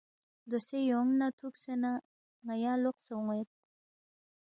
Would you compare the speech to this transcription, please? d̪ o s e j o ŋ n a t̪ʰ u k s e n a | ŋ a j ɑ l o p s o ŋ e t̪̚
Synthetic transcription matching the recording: d̪ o s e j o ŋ n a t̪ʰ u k s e n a | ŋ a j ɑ l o q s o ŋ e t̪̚